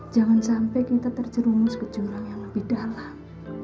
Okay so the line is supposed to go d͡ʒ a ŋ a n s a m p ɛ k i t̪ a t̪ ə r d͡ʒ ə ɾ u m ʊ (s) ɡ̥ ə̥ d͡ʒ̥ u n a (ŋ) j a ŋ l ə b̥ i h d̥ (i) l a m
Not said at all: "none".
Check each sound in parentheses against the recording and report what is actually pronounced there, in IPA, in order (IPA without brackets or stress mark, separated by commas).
s, ŋ, a